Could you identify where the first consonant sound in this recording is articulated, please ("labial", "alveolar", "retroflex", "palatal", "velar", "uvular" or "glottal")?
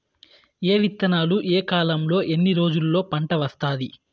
labial